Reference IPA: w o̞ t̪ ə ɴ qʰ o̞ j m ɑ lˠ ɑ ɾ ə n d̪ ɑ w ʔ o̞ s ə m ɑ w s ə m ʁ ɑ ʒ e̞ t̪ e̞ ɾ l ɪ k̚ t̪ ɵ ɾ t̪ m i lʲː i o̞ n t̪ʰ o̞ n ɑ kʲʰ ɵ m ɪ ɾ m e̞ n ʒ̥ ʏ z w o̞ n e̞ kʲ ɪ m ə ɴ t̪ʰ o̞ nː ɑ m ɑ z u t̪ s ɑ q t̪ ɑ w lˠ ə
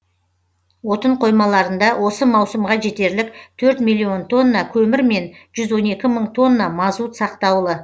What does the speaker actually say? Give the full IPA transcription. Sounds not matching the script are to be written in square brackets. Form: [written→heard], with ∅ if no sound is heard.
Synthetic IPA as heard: w o̞ t̪ ə ɴ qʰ o̞ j m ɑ lˠ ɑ ɾ ə n d̪ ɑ w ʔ o̞ s ə m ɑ w s ə m ʁ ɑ ʒ e̞ t̪ e̞ ɾ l ɪ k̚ [t̪→t̪ʰ] ɵ ɾ t̪ m i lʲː i o̞ n t̪ʰ o̞ [n→nː] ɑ kʲʰ ɵ m ɪ ɾ m e̞ n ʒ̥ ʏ z w o̞ n e̞ kʲ ɪ m ə ɴ t̪ʰ o̞ nː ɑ m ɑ z u t̪ s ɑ q t̪ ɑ w lˠ ə